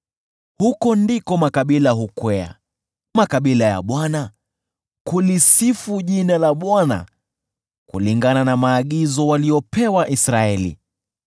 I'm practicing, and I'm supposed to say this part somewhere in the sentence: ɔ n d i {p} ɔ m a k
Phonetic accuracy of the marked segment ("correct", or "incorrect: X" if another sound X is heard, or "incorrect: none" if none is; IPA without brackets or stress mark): incorrect: k